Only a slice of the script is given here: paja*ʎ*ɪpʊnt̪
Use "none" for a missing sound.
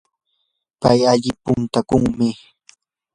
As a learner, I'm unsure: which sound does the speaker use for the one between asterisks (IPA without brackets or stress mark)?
ʎ